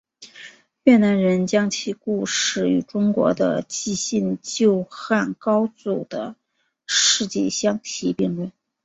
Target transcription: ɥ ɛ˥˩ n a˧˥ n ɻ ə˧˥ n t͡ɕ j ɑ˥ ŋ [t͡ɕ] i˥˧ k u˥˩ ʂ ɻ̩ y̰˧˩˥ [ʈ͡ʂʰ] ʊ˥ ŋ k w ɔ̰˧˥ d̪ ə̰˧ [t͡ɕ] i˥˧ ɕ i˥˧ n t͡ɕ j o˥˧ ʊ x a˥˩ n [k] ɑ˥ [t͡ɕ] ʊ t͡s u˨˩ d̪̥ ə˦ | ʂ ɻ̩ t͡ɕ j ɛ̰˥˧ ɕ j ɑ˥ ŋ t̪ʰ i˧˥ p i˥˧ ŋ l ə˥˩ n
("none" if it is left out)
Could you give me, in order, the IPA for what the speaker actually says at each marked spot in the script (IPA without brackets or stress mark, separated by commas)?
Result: t͡ɕʰ, ʈ͡ʂ, t͡ɕ, k, none